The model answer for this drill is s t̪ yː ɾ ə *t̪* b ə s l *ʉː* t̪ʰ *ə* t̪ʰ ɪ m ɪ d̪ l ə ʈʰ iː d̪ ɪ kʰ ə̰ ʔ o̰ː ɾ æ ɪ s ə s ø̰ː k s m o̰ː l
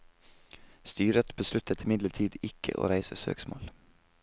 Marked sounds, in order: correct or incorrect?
correct, incorrect: ʉ, correct

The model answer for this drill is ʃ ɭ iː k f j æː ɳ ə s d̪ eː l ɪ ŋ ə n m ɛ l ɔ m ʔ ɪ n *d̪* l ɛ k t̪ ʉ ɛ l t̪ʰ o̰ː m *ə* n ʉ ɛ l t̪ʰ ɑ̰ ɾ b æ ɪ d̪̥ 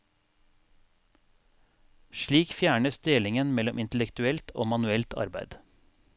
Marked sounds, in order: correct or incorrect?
incorrect: t̪, incorrect: ɑ

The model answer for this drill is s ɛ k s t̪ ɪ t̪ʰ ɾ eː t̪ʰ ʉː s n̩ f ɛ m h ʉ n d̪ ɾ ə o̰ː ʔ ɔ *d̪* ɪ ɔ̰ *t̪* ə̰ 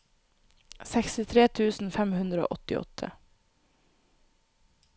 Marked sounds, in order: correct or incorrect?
incorrect: t̪, incorrect: t̪ʰ

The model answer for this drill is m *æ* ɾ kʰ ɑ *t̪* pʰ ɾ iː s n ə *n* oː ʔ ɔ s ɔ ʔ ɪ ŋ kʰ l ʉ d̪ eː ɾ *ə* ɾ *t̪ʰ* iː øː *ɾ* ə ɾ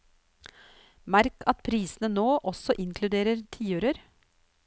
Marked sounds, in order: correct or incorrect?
correct, correct, correct, correct, correct, correct

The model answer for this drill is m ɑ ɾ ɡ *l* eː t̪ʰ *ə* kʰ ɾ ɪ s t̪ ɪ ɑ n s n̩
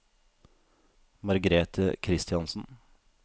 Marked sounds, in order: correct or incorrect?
incorrect: ɾ, correct

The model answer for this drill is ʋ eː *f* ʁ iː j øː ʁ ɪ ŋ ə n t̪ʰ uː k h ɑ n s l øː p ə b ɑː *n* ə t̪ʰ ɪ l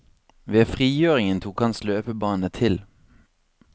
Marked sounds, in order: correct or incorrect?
correct, correct

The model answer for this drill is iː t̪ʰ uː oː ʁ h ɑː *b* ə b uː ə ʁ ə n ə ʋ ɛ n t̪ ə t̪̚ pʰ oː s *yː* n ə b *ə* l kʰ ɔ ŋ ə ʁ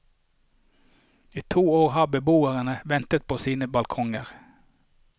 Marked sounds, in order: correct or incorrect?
correct, incorrect: iː, incorrect: ɑ

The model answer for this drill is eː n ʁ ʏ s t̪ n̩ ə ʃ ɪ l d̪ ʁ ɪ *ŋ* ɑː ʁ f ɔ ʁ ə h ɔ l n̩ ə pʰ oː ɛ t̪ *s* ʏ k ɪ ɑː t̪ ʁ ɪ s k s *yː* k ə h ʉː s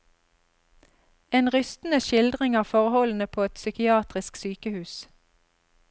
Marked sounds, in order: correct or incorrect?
correct, correct, correct

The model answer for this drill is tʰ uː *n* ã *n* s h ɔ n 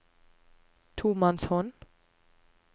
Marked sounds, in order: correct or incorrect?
incorrect: m, correct

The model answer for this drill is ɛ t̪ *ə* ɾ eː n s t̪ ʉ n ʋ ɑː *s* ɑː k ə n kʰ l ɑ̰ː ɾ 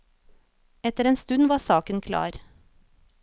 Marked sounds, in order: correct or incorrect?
correct, correct

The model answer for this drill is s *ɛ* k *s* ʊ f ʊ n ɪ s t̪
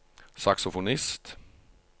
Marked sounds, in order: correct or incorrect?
incorrect: a, correct

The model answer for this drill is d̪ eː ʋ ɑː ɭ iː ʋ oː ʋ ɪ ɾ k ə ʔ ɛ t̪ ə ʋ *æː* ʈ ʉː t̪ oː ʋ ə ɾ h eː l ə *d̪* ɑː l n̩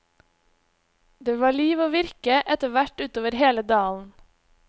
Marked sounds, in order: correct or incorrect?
incorrect: æ, correct

